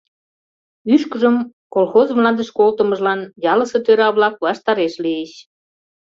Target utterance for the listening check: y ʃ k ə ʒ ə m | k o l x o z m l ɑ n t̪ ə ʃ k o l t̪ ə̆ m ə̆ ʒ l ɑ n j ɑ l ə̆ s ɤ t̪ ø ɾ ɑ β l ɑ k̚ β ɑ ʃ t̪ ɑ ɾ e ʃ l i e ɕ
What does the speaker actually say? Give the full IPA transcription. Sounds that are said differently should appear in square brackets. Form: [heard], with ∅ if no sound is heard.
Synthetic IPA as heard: y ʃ k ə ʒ ə m | k o l x o z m l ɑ n [d̪] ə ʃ k o l t̪ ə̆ m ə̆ ʒ l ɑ n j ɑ l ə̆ s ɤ t̪ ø ɾ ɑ β l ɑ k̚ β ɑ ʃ t̪ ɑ ɾ e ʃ l i e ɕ